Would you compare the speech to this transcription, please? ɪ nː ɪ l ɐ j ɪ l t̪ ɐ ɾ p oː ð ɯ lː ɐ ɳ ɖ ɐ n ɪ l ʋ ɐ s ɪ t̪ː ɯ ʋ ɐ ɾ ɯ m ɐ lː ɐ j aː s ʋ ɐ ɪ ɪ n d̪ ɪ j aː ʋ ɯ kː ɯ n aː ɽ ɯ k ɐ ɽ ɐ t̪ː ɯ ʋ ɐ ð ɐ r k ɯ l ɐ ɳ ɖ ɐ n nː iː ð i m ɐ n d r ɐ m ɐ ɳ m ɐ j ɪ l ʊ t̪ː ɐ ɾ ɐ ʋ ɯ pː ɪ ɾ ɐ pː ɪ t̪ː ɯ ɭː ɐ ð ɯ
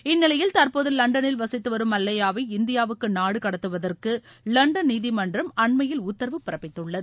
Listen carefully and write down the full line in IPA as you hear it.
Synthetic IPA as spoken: ɪ nː ɪ l ɐ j ɪ l t̪ ɐ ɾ p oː ð ɯ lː ɐ ɳ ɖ ɐ n ɪ l ʋ ɐ s ɪ t̪ː ɯ ʋ ɐ ɾ ɯ m ɐ lː ɐ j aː ʋ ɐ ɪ ɪ n d̪ ɪ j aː ʋ ɯ kː ɯ n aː ɽ ɯ k ɐ ɽ ɐ t̪ː ɯ ʋ ɐ ð ɐ r k ɯ l ɐ ɳ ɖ ɐ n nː iː ð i m ɐ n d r ɐ m ɐ ɳ m ɐ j ɪ l ʊ t̪ː ɐ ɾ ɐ ʋ ɯ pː ɪ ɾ ɐ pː ɪ t̪ː ɯ ɭː ɐ ð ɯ

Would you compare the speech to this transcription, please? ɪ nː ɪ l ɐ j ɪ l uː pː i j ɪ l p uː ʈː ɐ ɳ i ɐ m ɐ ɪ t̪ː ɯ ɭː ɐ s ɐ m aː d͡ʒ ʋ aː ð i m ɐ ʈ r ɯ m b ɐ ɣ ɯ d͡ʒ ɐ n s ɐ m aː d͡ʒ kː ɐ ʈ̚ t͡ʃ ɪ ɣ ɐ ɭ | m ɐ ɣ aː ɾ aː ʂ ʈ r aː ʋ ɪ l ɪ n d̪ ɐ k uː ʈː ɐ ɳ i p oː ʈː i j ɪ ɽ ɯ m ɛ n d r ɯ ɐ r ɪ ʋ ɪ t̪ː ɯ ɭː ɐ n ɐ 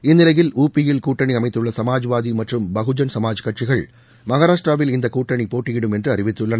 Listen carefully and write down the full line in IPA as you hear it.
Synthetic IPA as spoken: ɪ nː ɪ l ɐ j ɪ l uː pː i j ɪ l k uː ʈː ɐ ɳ i ɐ m ɐ ɪ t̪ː ɯ ɭː ɐ s ɐ m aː d͡ʒ ʋ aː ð i m ɐ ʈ r ɯ m b ɐ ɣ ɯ d͡ʒ ɐ n s ɐ m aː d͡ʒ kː ɐ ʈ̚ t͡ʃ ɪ ɣ ɐ ɭ | m ɐ ɣ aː ɾ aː ʂ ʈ r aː ʋ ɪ l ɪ n d̪ ɐ k uː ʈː ɐ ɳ i p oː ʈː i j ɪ ɽ ɯ m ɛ n d r ɯ ɐ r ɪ ʋ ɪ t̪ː ɯ ɭː ɐ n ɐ

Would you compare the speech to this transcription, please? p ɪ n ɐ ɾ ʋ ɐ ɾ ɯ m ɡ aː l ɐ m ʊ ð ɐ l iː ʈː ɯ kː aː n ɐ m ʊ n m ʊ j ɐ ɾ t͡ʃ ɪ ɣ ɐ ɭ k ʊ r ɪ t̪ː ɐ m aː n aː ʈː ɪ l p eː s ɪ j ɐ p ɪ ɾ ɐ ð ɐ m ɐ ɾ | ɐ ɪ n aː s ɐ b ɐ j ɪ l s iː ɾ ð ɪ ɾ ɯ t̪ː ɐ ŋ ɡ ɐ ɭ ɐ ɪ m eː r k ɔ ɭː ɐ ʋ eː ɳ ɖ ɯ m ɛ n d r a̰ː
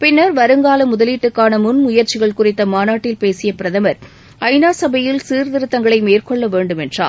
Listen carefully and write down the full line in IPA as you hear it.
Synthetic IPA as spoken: p ɪ nː ɐ ɾ ʋ ɐ ɾ ɯ ŋ ɡ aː l ɐ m ʊ ð ɐ l iː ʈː ɯ kː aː n ɐ m ʊ n m ʊ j ɐ ɾ t͡ʃ ɪ ɣ ɐ ɭ k ʊ r ɪ t̪ː ɐ m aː n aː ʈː ɪ l p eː s ɪ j ɐ p ɪ ɾ ɐ ð ɐ m ɐ ɾ | ɐ ɪ n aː s ɐ b ɐ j ɪ l s iː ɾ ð ɪ ɾ ɯ t̪ː ɐ ŋ ɡ ɐ ɭ ɐ ɪ m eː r k ɔ ɭː ɐ ʋ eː ɳ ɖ ɯ m ɛ n d r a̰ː

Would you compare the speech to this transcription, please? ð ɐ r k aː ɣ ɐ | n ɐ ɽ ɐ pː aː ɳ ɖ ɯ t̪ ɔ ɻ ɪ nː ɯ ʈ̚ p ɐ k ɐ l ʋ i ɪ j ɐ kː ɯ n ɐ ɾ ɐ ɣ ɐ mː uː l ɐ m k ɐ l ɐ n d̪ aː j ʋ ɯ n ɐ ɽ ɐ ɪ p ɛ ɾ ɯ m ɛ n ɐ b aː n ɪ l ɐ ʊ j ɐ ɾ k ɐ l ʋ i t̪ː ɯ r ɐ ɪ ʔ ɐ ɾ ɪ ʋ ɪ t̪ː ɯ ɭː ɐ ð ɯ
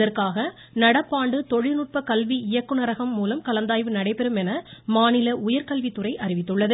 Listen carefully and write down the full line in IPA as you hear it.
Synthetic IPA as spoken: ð ɐ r k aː ɣ ɐ | n ɐ ɽ ɐ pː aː ɳ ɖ ɯ t̪ ɔ ɻ ɪ n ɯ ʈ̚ p ɐ k ɐ l ʋ i ɪ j ɐ kː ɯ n ɐ ɾ ɐ ɣ ɐ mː uː l ɐ m k ɐ l ɐ n d̪ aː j ʋ ɯ n ɐ ɽ ɐ ɪ p ɛ ɾ ɯ m ɛ n ɐ m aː n ɪ l ɐ ʊ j ɐ ɾ k ɐ l ʋ i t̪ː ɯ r ɐ ɪ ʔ ɐ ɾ ɪ ʋ ɪ t̪ː ɯ ɭː ɐ ð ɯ

